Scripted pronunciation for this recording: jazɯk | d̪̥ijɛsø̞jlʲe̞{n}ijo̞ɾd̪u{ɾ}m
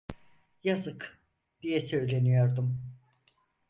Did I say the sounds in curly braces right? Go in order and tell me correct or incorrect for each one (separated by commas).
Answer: correct, incorrect